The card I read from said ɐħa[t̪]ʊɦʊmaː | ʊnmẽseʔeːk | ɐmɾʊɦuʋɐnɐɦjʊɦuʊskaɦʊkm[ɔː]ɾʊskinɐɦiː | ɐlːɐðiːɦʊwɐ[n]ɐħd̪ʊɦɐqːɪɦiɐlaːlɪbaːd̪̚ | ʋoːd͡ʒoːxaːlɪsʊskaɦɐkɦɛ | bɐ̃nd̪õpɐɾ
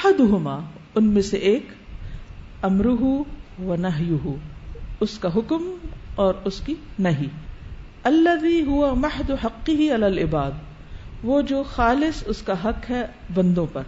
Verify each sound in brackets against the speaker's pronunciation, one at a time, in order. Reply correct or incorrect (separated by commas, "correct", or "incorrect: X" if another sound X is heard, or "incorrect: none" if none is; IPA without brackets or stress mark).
incorrect: d̪, correct, incorrect: m